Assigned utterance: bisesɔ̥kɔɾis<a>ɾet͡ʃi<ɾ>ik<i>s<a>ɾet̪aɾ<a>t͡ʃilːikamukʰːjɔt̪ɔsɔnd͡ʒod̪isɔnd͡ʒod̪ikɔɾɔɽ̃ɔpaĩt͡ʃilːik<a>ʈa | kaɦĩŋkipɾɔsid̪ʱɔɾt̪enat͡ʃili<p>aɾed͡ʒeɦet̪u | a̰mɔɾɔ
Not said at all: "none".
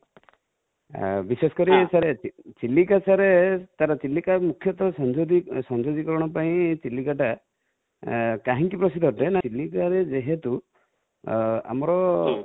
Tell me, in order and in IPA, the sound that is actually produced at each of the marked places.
a, l, a, a, a, a, k

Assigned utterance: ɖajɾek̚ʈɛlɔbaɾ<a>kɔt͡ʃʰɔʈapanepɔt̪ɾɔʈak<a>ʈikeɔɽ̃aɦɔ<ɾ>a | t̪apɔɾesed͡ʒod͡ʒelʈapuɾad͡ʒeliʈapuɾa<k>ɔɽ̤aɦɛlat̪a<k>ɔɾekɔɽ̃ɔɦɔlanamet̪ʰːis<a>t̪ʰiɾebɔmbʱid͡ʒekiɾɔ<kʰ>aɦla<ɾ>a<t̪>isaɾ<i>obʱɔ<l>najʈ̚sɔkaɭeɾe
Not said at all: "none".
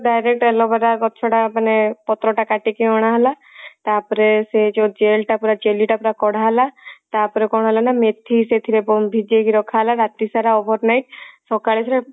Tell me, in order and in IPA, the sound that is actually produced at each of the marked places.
a, a, l, k, p, e, kʰ, ɾ, t̪, a, ɾ

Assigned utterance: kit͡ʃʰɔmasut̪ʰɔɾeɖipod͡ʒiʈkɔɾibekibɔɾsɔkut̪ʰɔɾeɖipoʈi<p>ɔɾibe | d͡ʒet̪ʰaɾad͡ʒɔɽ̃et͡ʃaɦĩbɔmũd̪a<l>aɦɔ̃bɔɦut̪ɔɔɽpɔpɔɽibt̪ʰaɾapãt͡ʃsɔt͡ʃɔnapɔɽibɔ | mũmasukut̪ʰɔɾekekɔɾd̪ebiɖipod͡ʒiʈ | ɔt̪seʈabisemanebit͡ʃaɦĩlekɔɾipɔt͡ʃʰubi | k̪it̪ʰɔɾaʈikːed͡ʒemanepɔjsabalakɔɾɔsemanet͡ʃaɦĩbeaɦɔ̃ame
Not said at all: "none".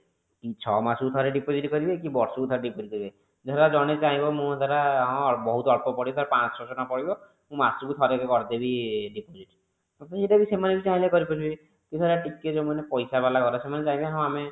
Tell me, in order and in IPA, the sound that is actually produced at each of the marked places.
k, ɾ

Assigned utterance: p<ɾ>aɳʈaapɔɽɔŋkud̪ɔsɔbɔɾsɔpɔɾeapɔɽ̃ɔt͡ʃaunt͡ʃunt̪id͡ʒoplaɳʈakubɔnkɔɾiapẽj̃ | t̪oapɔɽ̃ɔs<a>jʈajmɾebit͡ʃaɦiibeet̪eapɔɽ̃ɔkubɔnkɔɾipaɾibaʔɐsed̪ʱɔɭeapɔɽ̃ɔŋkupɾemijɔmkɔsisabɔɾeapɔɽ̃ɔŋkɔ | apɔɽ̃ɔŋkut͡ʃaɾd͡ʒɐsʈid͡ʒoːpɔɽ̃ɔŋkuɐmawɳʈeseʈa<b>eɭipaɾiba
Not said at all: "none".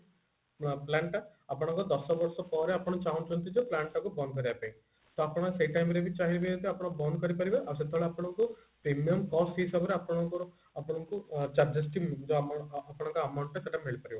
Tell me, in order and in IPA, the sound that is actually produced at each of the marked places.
l, e, m

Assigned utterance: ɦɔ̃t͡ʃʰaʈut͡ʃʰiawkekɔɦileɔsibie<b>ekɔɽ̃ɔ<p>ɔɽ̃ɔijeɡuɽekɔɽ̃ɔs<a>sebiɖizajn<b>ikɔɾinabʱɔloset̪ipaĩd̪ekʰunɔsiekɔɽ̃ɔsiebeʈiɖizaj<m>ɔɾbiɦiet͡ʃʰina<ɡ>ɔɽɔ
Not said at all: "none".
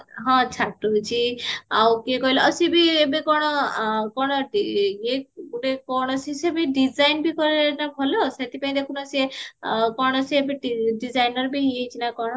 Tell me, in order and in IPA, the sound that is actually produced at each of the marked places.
b, k, i, b, n, k

